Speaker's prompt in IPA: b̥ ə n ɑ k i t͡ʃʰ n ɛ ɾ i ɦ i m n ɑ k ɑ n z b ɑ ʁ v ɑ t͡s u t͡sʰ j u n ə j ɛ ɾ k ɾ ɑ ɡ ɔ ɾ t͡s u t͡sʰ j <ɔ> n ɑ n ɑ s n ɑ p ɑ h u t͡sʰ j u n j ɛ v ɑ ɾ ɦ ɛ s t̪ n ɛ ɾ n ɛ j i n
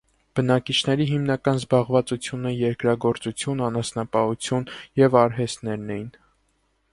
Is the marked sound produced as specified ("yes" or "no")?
no